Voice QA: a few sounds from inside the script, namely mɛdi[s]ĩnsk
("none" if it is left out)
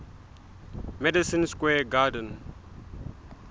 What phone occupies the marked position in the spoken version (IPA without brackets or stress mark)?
s